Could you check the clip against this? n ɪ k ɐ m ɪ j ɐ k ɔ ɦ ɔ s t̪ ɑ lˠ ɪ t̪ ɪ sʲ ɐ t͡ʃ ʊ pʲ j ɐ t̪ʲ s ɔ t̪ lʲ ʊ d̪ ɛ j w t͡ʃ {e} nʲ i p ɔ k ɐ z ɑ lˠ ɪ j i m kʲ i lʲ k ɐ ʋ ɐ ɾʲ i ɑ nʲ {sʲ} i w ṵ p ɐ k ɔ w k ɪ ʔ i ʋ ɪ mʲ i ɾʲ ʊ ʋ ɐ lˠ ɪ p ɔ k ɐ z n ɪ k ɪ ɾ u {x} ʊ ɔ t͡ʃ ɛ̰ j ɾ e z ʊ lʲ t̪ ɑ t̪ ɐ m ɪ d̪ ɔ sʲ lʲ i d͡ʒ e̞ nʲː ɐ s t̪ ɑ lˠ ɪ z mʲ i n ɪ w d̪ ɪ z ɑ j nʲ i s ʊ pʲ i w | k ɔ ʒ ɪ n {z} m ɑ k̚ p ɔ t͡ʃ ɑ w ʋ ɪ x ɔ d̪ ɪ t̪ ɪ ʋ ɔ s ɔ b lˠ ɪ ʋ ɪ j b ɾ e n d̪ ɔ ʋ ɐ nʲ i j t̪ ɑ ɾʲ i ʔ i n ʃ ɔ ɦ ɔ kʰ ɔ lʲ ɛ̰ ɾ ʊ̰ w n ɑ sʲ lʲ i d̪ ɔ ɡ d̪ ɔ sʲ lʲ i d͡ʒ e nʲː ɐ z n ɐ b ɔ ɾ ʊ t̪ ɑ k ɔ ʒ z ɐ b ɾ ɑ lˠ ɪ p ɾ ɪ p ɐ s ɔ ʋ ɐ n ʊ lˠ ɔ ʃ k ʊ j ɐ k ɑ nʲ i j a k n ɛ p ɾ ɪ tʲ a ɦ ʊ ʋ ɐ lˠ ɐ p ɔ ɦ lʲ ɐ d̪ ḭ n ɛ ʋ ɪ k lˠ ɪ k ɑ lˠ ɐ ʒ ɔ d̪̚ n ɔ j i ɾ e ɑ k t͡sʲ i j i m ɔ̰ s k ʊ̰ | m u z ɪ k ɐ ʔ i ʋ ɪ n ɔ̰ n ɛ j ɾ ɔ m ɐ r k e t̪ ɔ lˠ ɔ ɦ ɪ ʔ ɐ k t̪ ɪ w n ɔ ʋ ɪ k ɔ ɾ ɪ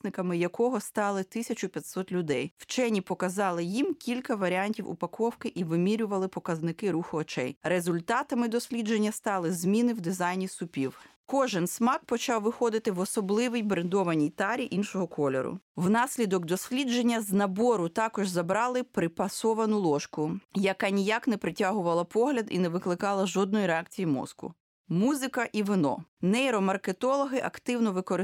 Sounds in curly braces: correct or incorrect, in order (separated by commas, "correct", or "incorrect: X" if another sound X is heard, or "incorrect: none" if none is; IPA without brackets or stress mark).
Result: incorrect: ɛ, incorrect: tʲ, correct, incorrect: s